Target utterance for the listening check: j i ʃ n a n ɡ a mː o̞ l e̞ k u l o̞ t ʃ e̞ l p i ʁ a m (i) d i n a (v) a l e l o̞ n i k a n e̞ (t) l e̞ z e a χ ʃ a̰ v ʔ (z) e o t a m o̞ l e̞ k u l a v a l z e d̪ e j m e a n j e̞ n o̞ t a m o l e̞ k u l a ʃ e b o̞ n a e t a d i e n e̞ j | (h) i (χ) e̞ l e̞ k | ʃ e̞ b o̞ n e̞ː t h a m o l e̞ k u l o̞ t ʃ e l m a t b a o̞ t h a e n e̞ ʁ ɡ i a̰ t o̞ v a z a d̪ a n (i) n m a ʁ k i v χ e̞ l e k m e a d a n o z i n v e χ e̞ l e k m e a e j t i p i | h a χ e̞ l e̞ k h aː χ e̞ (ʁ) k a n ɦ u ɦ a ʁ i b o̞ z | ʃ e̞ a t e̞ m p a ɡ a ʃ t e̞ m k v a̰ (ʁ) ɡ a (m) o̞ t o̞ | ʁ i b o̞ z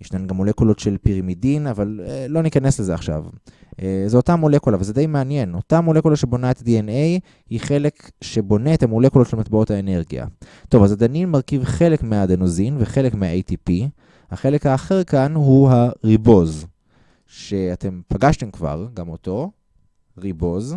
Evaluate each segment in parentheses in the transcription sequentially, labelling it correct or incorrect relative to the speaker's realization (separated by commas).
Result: correct, correct, incorrect, correct, correct, correct, correct, correct, correct, correct